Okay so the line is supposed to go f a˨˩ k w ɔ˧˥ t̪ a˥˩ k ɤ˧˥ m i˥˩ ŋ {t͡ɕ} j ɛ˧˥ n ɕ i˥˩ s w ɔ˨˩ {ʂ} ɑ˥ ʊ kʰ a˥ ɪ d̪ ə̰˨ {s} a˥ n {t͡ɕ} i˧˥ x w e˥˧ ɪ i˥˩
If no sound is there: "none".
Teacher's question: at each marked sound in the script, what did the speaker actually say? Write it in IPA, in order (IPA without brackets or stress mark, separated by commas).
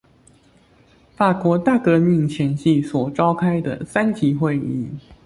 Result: t͡ɕʰ, ʈ͡ʂ, s, t͡ɕ